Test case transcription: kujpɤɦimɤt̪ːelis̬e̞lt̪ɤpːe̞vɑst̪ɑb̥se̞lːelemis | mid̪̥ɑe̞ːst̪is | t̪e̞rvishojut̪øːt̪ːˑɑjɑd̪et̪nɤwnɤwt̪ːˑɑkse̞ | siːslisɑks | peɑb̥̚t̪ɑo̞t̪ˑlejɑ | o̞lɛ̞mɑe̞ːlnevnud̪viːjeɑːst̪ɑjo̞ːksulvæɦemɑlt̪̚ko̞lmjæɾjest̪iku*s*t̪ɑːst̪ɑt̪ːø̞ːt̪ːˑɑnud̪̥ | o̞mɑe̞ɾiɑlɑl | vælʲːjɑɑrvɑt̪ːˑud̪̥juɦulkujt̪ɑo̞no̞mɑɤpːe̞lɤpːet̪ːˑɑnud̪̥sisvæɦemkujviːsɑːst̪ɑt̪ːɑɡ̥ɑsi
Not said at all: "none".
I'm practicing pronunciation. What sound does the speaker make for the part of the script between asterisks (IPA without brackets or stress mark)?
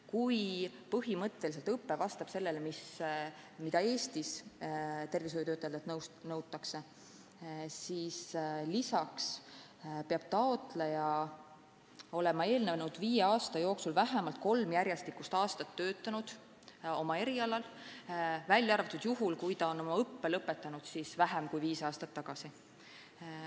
s